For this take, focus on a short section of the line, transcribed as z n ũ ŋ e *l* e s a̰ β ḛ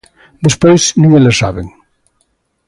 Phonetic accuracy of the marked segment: correct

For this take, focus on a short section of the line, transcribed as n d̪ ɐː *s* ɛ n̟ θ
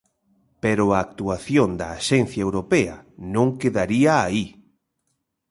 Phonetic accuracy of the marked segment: incorrect: ʃ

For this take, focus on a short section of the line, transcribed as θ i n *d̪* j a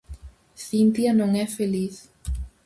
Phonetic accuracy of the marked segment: incorrect: t̪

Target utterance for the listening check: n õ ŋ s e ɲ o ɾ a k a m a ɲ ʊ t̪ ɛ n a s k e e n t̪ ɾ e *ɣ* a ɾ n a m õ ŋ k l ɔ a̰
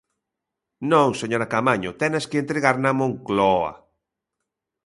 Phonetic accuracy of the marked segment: correct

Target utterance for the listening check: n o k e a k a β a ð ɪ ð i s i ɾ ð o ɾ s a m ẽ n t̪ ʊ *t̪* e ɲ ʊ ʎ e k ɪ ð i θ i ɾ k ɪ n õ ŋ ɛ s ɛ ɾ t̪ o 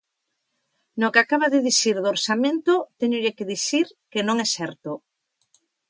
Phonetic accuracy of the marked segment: correct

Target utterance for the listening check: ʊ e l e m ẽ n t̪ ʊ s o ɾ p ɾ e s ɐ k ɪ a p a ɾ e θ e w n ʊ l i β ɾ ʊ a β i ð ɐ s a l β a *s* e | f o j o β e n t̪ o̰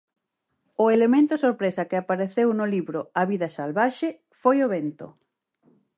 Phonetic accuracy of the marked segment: incorrect: ʃ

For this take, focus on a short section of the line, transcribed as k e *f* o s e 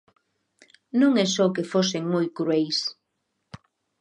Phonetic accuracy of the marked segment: correct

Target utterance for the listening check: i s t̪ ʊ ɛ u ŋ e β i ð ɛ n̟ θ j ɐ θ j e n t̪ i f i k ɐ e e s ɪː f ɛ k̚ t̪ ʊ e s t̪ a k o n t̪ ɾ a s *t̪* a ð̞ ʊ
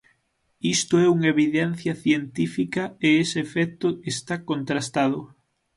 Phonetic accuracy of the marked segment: correct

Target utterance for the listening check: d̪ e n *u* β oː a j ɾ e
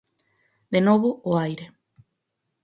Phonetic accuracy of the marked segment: incorrect: o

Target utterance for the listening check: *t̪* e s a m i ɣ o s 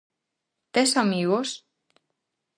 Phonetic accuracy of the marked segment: correct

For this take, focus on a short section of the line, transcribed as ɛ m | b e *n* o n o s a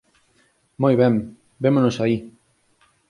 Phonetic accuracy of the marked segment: incorrect: m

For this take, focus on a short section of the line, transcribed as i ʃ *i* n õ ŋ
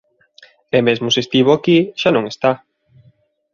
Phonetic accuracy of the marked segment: incorrect: a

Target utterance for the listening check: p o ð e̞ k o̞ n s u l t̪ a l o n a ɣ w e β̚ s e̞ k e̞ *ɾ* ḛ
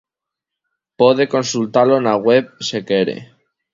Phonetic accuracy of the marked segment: correct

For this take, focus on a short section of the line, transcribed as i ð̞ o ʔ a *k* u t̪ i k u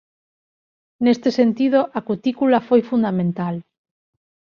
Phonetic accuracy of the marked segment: correct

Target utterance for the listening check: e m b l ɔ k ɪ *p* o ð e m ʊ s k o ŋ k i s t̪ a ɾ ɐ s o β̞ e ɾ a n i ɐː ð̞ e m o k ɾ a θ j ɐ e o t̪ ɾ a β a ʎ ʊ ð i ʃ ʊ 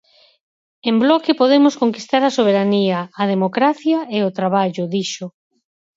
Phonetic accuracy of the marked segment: correct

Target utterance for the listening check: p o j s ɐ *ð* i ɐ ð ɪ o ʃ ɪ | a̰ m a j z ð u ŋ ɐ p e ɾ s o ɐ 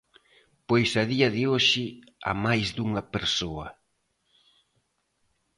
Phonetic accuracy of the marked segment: correct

